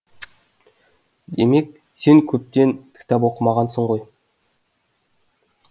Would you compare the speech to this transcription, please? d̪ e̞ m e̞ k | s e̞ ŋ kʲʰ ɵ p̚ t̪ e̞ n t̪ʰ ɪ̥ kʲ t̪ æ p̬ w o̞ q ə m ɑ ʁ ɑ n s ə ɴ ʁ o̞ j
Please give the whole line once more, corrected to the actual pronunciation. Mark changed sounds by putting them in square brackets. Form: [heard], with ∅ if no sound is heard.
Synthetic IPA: d̪ e̞ m e̞ k | s e̞ ŋ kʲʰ ɵ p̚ t̪ e̞ n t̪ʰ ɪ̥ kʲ t̪ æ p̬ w o̞ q ə m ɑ ʁ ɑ n s ə ɴ ʁ o̞ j